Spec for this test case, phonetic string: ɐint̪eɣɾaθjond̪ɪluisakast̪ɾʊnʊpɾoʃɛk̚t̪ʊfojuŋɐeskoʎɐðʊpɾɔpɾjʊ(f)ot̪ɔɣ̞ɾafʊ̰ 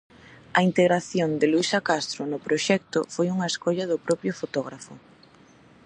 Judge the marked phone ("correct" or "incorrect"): correct